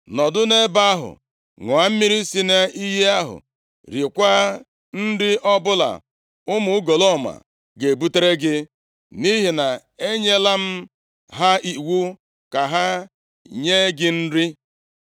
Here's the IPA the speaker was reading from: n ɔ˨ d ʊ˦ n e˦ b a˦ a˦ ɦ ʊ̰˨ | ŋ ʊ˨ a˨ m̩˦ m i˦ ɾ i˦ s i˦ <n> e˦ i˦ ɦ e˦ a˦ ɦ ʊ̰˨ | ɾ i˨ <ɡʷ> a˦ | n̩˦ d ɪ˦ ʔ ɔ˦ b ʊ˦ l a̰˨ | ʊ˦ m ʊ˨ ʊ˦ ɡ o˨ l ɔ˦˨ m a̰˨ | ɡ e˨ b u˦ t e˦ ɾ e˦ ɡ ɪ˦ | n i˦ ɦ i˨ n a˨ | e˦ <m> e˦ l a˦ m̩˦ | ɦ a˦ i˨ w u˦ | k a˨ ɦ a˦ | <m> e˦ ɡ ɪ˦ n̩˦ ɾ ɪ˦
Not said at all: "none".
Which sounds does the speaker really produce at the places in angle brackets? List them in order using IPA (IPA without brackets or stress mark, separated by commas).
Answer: n, kʷ, ɲ, ɲ